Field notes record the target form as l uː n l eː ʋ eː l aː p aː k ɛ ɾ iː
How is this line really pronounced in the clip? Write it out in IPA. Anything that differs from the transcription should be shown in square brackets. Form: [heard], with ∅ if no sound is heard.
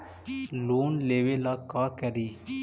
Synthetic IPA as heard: l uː n l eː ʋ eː l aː [k] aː k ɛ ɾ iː